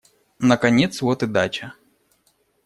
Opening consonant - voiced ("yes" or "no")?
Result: yes